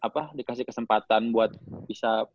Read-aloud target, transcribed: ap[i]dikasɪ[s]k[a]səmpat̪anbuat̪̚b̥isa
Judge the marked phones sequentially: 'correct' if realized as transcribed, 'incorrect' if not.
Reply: incorrect: a, incorrect: h, incorrect: ə

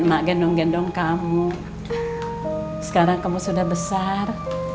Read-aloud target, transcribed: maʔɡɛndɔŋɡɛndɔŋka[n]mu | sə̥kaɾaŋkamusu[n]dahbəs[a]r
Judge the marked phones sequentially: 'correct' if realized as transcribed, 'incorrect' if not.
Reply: incorrect: none, incorrect: none, correct

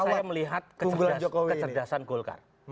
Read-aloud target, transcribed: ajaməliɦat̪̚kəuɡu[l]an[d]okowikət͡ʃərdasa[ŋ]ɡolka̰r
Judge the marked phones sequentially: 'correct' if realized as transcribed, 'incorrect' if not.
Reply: correct, incorrect: d͡ʒ, incorrect: n

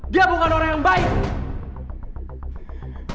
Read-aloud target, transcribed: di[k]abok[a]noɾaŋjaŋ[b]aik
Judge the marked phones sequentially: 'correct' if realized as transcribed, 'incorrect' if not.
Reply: incorrect: none, correct, correct

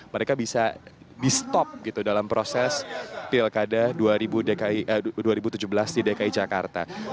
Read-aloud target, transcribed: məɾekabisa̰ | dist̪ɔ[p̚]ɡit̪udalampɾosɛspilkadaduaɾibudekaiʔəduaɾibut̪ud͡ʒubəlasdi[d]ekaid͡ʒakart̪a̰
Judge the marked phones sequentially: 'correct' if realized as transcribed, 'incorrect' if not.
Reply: correct, correct

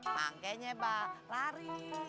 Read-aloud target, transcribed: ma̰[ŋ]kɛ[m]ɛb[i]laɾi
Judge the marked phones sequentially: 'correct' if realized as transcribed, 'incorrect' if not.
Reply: correct, incorrect: ɲ, incorrect: a

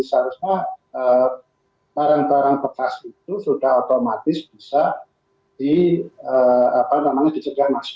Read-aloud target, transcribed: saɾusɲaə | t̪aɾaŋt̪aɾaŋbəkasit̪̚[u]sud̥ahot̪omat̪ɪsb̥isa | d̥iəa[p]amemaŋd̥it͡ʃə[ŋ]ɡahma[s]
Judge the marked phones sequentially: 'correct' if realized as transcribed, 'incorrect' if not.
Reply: correct, correct, incorrect: none, correct

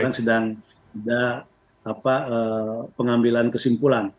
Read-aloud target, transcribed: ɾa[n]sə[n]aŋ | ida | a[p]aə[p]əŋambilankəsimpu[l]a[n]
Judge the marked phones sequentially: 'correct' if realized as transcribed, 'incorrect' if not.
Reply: incorrect: ŋ, incorrect: d, correct, correct, correct, correct

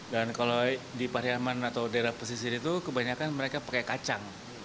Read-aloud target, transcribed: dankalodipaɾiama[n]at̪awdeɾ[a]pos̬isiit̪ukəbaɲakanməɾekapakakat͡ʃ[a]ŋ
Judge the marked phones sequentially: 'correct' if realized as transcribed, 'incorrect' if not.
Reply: correct, correct, correct

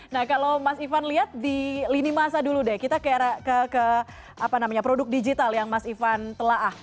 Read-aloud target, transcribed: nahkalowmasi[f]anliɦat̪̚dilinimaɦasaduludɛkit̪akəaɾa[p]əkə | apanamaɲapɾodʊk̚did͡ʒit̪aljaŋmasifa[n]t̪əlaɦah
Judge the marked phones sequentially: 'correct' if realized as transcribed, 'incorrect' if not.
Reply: correct, incorrect: k, correct

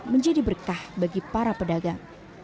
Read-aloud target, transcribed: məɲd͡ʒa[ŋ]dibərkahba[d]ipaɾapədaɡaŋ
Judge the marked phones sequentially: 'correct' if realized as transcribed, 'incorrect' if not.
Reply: incorrect: none, incorrect: ɡ

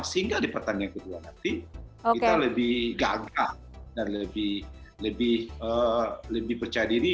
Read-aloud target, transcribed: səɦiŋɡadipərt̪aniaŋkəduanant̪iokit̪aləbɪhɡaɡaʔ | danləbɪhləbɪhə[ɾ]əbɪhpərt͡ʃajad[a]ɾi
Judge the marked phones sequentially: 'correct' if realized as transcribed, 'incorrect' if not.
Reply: incorrect: l, incorrect: i

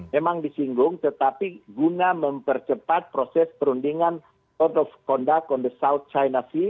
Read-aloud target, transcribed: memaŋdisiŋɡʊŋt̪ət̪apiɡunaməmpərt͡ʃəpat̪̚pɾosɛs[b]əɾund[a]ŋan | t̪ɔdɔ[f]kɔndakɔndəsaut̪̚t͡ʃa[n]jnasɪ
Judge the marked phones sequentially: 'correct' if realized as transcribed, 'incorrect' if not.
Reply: incorrect: p, incorrect: i, correct, incorrect: none

